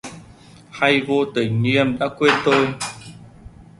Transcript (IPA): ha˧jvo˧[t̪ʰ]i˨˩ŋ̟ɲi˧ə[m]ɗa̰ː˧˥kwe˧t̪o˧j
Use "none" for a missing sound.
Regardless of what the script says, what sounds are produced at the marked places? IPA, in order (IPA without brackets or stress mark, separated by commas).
t̪, m